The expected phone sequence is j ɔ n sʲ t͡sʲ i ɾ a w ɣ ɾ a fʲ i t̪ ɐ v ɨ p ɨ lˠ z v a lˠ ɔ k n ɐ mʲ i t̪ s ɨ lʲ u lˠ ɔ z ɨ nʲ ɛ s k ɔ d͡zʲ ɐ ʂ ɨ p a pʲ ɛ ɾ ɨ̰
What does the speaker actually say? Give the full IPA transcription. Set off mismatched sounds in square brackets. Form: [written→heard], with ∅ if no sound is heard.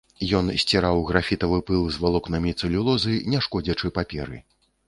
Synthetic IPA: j ɔ n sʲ t͡sʲ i ɾ a w ɣ ɾ a fʲ i t̪ ɐ v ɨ p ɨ lˠ z v a lˠ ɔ k n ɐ mʲ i t̪ s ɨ lʲ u lˠ ɔ z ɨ nʲ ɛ [s→ʂ] k ɔ d͡zʲ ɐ [ʂ→t͡ʂ] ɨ p a pʲ ɛ ɾ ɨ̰